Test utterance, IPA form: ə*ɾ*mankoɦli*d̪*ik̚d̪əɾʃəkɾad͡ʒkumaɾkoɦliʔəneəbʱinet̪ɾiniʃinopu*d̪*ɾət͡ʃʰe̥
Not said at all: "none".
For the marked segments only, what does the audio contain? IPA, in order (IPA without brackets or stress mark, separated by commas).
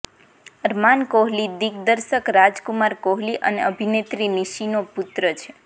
ɾ, d̪, t̪